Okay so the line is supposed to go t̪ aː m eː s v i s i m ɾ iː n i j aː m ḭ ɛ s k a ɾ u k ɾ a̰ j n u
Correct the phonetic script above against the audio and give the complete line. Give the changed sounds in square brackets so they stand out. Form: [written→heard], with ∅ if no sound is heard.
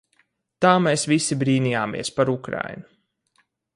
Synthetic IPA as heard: t̪ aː m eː s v i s i [m→b] ɾ iː n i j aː m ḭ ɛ s [k→p] a ɾ u k ɾ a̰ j n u